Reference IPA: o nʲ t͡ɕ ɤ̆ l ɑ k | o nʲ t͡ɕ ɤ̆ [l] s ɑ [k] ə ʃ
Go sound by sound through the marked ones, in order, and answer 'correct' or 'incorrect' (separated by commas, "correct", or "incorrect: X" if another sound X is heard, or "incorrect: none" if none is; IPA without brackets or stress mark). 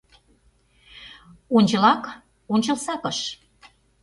correct, correct